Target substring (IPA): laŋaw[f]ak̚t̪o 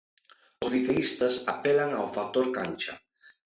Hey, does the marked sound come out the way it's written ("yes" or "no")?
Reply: yes